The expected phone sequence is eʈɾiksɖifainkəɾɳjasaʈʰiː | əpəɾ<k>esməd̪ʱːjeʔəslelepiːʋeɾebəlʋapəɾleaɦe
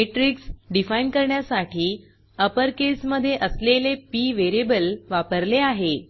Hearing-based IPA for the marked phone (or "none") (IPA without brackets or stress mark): k